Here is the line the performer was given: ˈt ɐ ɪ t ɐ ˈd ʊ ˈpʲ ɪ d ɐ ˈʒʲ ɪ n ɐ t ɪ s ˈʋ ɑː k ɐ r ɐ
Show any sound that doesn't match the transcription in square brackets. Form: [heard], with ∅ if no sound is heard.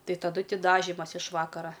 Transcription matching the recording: ˈt ɐ ɪ t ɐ ˈd ʊ [ˈtʲ] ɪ d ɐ ˈʒʲ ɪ [m] ɐ [s] ɪ [ʃ] ˈʋ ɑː k ɐ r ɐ